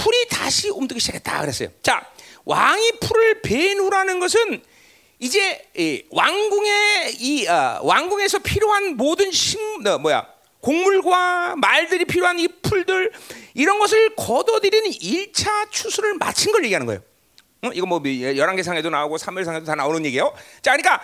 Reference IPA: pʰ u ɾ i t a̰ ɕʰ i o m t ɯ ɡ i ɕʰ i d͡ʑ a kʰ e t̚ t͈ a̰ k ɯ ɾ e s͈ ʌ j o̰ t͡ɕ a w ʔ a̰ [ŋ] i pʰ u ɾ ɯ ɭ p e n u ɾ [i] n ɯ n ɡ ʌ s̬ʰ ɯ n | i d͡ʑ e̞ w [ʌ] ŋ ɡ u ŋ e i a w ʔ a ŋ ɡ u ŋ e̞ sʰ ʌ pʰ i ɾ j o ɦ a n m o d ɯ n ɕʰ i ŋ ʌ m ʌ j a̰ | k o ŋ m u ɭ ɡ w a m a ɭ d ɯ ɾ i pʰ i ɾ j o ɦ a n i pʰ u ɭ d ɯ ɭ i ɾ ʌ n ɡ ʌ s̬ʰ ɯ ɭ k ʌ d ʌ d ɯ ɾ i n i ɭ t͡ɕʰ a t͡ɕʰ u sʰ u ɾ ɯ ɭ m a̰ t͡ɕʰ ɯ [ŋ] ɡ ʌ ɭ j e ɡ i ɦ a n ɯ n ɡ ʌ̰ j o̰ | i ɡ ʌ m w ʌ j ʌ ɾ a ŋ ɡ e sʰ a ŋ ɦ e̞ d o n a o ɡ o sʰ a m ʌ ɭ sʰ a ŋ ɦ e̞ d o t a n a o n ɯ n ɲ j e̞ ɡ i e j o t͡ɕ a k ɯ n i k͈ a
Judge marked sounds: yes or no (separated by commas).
yes, no, no, no